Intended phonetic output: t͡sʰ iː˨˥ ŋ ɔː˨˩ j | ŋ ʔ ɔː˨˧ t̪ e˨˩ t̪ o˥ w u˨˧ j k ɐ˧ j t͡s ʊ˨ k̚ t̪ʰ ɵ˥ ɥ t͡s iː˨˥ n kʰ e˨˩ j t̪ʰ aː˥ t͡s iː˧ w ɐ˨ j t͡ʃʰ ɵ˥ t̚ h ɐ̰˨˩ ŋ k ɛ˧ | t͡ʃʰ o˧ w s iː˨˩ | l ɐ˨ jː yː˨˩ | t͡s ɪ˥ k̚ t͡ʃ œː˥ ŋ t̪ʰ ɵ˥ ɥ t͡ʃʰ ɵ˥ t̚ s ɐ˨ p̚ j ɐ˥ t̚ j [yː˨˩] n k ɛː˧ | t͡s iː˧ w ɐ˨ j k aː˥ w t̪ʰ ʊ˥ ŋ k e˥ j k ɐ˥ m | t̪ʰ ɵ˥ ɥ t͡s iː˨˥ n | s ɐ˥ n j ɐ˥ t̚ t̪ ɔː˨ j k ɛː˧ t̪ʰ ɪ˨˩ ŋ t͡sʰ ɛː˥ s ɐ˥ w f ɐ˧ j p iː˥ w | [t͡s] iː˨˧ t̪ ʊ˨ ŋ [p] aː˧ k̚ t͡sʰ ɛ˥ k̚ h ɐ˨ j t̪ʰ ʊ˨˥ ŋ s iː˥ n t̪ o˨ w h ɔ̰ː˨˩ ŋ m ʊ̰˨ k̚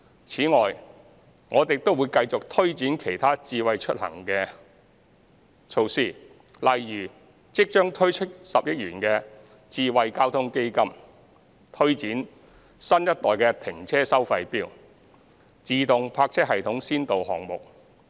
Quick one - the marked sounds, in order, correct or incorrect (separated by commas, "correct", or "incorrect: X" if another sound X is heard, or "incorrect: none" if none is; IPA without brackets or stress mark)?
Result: correct, correct, incorrect: pʰ